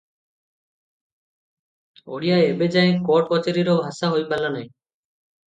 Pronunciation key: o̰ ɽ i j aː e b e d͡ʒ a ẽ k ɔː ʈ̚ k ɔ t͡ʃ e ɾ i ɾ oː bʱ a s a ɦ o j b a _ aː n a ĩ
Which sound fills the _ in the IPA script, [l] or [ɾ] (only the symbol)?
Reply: l